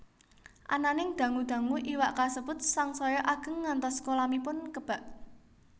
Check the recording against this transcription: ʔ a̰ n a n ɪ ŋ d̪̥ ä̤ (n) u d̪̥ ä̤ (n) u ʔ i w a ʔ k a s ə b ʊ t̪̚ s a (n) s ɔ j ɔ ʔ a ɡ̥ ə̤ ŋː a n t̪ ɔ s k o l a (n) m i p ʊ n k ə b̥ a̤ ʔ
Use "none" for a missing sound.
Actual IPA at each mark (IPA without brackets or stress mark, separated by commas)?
ŋ, ŋ, ŋ, none